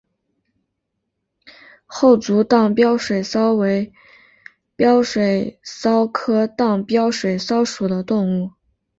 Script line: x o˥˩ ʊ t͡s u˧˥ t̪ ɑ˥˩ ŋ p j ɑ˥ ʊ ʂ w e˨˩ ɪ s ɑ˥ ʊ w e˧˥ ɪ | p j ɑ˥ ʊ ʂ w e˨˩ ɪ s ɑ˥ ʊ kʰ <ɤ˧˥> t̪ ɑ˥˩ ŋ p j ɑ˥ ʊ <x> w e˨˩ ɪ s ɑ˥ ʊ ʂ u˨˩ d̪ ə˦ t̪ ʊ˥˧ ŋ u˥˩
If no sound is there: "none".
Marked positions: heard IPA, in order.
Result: ɤ˥, ʂ

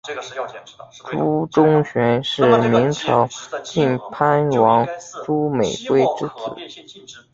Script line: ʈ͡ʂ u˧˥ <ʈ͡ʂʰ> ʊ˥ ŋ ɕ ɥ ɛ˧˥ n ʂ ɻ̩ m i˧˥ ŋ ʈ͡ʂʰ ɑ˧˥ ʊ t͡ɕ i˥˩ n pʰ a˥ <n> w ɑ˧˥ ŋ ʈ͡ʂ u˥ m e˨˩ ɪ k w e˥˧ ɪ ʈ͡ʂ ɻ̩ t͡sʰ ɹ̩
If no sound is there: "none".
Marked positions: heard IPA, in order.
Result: ʈ͡ʂ, n

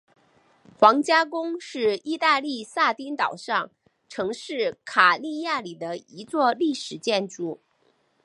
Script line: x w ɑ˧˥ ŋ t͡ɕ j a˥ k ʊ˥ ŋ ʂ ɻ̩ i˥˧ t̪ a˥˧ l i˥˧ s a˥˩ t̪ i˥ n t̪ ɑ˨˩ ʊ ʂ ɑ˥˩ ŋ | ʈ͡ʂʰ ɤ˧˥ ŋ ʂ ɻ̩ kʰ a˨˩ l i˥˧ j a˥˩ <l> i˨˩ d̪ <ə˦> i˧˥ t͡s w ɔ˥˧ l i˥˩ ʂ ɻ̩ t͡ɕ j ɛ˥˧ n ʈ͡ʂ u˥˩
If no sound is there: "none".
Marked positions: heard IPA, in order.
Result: l, ə˦

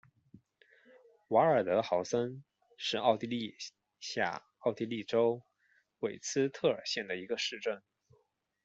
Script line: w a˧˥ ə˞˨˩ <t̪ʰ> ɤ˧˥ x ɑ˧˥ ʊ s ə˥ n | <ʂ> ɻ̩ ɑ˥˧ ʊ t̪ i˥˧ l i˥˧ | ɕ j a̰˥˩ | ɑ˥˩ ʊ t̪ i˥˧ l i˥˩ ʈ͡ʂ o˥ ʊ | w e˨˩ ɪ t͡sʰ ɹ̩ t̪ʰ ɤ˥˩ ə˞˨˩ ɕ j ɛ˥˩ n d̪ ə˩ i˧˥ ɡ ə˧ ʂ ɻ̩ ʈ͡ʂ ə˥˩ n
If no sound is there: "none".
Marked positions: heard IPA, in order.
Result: t̪, ʂ

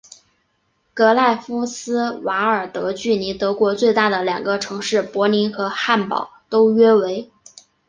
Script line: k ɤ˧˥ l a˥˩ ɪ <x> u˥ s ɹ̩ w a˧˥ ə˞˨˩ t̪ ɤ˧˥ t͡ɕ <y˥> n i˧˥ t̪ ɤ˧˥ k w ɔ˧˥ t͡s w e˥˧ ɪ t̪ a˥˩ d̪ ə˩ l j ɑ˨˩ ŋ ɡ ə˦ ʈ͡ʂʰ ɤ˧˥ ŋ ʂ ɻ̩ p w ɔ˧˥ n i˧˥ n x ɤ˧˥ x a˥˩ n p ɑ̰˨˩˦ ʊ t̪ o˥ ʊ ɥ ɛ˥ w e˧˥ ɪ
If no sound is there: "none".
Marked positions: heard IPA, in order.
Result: f, y˥˩

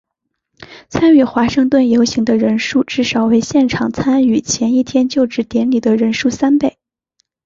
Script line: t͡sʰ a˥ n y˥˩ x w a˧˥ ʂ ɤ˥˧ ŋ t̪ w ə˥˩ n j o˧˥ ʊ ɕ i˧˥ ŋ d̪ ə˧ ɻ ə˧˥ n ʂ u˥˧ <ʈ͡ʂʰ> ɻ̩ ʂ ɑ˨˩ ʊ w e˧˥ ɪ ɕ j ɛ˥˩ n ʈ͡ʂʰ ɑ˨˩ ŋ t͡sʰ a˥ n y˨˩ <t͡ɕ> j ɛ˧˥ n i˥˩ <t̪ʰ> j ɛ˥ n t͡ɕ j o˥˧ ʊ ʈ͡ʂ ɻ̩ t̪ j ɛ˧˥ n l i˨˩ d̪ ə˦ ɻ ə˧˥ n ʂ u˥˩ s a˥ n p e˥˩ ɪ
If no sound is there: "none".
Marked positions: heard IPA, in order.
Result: ʈ͡ʂ, t͡ɕʰ, t̪ʰ

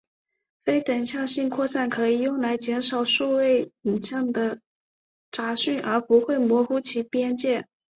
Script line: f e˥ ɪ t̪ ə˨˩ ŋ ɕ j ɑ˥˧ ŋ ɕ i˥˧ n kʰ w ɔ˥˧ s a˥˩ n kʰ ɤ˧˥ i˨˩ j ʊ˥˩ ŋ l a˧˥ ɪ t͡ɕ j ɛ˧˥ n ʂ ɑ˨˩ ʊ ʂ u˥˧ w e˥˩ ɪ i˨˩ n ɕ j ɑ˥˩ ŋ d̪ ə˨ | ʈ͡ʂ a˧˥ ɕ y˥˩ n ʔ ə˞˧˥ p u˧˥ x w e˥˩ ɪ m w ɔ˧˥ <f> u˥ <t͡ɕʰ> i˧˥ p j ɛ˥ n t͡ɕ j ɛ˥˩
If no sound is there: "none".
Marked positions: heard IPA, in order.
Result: x, t͡ɕʰ

